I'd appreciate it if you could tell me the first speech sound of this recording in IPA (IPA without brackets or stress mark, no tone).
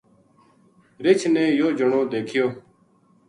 ɾ